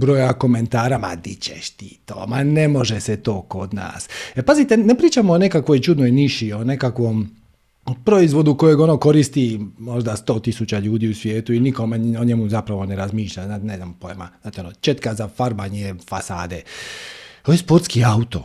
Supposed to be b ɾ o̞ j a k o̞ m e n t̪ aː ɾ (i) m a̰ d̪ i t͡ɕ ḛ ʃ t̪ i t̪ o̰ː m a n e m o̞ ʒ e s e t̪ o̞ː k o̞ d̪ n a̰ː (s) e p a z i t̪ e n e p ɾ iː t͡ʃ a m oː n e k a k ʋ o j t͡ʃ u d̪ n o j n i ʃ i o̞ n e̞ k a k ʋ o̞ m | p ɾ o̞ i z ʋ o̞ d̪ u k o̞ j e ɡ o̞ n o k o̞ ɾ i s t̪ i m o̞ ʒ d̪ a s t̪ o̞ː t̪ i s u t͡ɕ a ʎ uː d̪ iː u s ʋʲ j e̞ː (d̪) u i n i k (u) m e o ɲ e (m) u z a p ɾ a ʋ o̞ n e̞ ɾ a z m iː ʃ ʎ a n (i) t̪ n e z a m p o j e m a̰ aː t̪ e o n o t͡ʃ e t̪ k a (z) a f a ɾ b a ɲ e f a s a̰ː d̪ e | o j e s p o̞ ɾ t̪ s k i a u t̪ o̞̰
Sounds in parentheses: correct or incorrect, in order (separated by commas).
incorrect, correct, incorrect, incorrect, correct, incorrect, correct